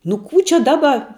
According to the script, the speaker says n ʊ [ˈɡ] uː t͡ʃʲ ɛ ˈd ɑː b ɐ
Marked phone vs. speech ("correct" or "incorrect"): incorrect